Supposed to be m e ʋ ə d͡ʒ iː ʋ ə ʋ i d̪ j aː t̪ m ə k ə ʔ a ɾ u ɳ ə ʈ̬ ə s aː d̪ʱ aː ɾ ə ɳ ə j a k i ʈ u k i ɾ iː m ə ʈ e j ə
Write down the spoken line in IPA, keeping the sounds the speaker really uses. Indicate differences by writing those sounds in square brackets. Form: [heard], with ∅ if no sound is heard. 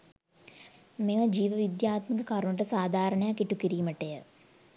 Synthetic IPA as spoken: m e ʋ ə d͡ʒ iː ʋ ə ʋ i d̪ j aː t̪ m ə k ə [k] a ɾ u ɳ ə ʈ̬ ə s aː d̪ʱ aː ɾ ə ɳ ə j a k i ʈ u k i ɾ iː m ə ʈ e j ə